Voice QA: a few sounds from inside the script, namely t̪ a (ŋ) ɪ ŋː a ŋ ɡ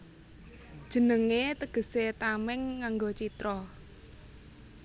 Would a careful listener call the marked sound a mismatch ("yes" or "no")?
yes